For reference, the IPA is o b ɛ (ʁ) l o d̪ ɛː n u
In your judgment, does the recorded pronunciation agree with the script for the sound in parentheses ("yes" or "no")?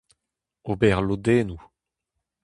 yes